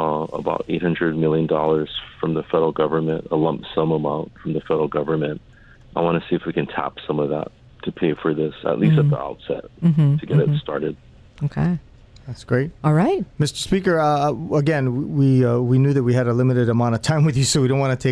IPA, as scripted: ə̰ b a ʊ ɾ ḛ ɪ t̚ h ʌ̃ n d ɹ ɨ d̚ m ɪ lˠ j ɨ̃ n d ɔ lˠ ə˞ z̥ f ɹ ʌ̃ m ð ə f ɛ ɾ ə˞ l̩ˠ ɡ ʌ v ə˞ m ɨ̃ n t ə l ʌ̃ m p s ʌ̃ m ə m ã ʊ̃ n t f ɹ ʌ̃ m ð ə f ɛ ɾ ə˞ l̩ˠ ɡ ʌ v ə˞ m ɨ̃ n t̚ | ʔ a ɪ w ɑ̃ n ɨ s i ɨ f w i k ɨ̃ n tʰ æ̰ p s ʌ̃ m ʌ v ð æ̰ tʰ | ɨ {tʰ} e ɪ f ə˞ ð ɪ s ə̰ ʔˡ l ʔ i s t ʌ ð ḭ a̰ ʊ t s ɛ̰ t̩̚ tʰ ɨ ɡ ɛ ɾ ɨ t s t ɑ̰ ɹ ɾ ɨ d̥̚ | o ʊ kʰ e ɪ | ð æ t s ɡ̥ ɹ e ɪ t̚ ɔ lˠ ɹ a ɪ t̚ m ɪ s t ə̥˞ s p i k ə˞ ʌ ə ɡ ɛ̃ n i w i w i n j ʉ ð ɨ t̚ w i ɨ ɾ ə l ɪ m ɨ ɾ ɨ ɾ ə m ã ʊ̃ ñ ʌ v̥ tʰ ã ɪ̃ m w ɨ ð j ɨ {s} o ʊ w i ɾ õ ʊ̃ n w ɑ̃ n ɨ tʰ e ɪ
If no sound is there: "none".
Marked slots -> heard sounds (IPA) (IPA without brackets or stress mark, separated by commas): pʰ, s